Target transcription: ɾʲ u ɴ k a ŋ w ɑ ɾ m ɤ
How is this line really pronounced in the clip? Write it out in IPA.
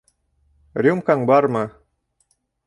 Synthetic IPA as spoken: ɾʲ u m k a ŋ b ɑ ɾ m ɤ